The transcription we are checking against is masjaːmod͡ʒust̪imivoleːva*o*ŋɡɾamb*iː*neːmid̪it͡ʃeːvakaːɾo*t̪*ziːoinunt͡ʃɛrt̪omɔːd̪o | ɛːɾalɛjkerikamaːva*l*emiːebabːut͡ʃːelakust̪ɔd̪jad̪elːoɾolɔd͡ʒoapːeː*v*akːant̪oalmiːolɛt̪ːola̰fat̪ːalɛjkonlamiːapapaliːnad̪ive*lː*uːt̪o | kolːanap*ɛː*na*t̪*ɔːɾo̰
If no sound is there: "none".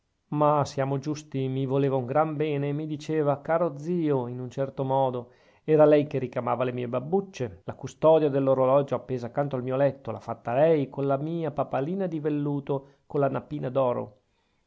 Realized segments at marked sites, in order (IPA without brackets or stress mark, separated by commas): u, ɛː, d̪, l, z, lː, iː, d̪